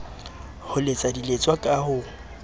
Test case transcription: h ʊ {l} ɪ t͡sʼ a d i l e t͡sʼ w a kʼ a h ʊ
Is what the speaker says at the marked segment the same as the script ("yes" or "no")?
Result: yes